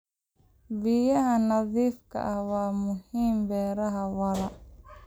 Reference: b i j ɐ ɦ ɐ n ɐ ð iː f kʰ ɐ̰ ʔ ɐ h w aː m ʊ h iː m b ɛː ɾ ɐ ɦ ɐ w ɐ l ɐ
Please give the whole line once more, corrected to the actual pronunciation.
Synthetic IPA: b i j ɐ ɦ ɐ n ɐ ð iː f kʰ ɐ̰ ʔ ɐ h w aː m ʊ h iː m b ɛː ɾ ɐ ɦ ɐ w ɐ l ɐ